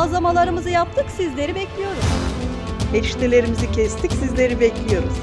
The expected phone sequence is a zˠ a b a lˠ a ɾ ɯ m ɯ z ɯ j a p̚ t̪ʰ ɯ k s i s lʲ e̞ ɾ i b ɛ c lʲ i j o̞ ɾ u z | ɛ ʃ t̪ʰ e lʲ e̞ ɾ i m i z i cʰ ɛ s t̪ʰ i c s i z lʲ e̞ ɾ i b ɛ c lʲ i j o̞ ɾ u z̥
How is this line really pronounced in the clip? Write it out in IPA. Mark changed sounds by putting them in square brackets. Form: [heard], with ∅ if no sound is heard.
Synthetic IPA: a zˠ a [m] a lˠ a ɾ ɯ m ɯ z ɯ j a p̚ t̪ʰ ɯ k s i [z] lʲ e̞ ɾ i b ɛ c lʲ i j o̞ ɾ u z | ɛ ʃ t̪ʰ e lʲ e̞ ɾ i m i z i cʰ ɛ s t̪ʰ i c s i z lʲ e̞ ɾ i b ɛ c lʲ i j o̞ ɾ u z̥